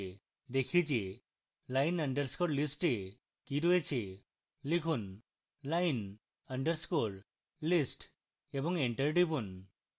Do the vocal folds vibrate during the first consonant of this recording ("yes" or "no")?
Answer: yes